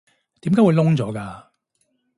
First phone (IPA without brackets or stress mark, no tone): t̪